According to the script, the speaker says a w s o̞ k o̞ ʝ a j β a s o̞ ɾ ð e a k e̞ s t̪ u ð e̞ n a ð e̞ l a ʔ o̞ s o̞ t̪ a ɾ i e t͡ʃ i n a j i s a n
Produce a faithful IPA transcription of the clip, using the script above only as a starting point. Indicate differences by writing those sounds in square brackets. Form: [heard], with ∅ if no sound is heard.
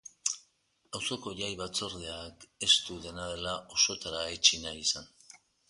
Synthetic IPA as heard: a w s o̞ k o̞ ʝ a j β a [t͡s] o̞ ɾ ð e a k e̞ s t̪ u ð e̞ n a ð e̞ l a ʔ o̞ s o̞ t̪ a ɾ [a] e t͡ʃ i n a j i s a n